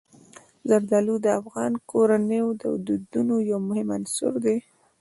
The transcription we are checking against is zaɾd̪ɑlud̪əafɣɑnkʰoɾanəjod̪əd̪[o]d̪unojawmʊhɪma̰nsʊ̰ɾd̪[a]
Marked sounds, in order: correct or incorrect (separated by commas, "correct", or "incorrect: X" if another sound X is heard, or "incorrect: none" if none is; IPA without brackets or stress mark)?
incorrect: u, incorrect: e